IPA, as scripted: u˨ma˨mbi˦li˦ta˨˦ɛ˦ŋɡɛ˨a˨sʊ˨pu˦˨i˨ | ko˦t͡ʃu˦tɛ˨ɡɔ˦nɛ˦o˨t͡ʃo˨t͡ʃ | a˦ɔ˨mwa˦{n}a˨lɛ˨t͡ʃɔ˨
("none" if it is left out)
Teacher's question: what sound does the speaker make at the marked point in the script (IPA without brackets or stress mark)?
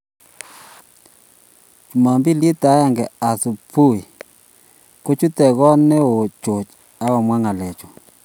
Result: ŋ